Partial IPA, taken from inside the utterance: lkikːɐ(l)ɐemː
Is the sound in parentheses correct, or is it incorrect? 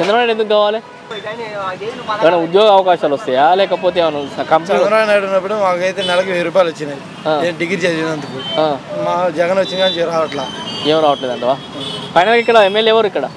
incorrect